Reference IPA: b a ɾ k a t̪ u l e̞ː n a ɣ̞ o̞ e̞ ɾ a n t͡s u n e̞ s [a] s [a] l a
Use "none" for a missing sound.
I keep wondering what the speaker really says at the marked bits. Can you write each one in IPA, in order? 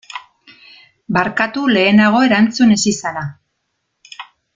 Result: i, a

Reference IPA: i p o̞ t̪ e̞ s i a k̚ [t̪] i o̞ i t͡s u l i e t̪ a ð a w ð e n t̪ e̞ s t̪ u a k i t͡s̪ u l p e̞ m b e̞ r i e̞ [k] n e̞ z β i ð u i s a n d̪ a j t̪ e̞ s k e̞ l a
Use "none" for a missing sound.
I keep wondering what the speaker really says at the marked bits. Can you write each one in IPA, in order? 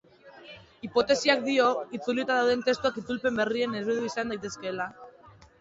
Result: d̪, none

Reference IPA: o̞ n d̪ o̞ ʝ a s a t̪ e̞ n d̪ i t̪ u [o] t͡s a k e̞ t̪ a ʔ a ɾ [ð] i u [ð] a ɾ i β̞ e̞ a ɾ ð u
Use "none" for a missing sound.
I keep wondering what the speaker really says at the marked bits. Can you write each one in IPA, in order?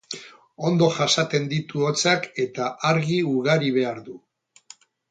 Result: o, ɣ, ɣ

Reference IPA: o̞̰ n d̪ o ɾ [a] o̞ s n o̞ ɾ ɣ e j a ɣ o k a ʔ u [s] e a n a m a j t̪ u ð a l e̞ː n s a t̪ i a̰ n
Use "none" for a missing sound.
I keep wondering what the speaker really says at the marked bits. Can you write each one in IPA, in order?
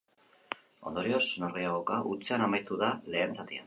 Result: i, t͡s

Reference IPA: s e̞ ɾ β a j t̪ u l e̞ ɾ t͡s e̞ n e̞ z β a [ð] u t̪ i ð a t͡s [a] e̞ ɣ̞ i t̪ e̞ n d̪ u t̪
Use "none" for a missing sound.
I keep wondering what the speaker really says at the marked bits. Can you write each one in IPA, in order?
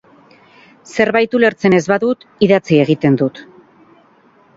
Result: ð, i

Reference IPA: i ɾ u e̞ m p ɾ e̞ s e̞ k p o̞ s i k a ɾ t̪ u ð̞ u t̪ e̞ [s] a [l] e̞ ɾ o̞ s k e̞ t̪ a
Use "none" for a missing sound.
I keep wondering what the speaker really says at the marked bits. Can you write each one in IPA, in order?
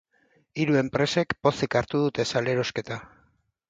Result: s, l

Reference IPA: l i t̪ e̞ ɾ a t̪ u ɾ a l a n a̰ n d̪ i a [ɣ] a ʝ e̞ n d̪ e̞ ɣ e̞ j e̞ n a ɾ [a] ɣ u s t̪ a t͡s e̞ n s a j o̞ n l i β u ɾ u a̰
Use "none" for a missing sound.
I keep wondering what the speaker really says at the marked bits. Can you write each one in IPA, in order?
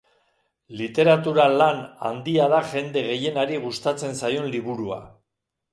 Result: ð, i

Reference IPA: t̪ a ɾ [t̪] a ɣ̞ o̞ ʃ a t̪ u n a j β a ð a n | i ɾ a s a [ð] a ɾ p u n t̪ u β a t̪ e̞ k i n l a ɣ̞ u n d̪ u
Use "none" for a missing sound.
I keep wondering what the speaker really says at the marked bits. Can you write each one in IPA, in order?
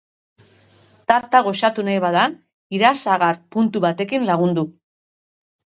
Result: t̪, ɣ

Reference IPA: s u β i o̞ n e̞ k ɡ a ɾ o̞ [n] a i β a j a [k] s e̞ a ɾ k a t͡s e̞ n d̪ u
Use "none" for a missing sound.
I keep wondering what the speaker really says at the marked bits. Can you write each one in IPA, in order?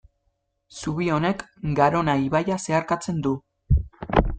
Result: n, none

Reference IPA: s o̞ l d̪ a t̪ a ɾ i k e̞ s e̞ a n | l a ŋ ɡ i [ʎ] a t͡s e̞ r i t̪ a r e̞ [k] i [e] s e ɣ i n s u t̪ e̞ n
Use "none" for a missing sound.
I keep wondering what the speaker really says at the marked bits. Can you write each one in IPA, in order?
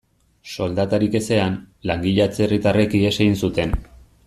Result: ʎ, k, e

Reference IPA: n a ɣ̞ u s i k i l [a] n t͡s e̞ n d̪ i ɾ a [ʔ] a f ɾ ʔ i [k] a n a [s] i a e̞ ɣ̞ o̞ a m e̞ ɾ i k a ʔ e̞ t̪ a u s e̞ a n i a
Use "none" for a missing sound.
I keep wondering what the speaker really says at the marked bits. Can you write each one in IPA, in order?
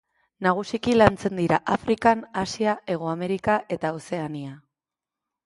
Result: a, ʔ, k, s

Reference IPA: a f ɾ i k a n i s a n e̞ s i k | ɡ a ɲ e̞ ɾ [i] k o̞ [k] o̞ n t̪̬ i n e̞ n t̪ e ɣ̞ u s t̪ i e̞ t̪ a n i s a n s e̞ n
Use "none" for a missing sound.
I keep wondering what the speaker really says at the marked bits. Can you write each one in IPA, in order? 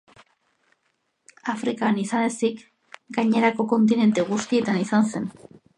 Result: a, k

